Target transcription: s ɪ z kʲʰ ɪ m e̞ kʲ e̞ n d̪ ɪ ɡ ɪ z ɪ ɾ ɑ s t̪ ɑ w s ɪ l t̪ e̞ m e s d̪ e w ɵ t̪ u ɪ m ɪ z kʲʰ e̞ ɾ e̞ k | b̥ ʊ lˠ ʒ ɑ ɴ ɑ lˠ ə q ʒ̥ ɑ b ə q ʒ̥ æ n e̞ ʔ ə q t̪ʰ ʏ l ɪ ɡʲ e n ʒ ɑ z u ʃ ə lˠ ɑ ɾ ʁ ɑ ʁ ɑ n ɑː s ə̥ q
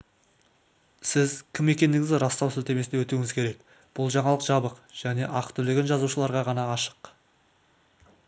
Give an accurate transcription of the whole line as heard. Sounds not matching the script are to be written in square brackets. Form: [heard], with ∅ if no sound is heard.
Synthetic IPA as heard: s ɪ z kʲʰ ɪ m e̞ kʲ e̞ n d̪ ɪ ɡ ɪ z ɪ ɾ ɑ s t̪ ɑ w s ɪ l t̪ e̞ m e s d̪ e w ɵ t̪ u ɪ [ŋ] ɪ z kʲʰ e̞ ɾ e̞ k | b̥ ʊ lˠ ʒ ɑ ɴ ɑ lˠ ə q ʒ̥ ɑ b ə q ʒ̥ æ n e̞ ʔ [ɑ] q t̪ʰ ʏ l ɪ ɡʲ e n ʒ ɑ z u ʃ ə lˠ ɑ ɾ ʁ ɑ ʁ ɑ n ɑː [ʃ] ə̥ q